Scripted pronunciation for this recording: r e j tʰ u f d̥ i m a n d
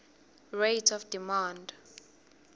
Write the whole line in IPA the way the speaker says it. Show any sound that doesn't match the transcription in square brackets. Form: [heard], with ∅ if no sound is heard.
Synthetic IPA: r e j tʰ [ɔ] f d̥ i m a n d